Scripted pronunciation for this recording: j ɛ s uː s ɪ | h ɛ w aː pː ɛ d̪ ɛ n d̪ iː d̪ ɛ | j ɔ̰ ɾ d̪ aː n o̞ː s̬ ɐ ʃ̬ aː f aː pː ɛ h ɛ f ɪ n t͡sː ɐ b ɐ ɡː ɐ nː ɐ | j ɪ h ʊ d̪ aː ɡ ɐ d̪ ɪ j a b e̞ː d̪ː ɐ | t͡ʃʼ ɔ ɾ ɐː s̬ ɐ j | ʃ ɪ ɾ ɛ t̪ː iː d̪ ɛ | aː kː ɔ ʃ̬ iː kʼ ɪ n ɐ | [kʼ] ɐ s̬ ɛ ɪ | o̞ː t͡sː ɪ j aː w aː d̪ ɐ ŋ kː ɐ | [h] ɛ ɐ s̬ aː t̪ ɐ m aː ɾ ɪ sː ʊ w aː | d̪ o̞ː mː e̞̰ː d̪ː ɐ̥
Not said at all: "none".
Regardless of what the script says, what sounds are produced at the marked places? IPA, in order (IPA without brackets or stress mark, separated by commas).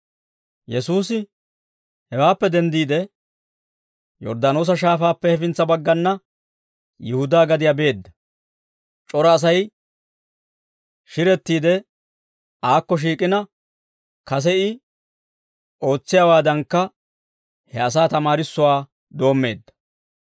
k, h